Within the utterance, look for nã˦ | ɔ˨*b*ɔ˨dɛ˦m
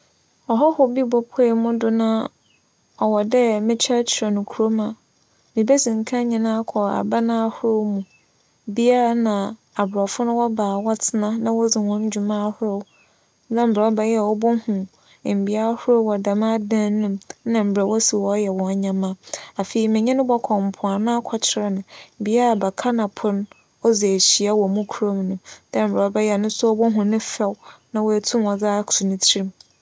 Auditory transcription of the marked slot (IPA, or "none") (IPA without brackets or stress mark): w